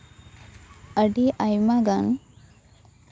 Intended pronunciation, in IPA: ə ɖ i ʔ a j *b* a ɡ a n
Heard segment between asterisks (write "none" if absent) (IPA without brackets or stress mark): m